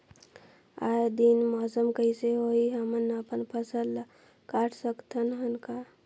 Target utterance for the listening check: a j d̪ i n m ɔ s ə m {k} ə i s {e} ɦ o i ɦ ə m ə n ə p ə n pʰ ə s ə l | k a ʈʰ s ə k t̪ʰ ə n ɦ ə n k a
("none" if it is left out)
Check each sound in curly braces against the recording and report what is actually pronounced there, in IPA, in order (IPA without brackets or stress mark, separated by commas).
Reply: k, e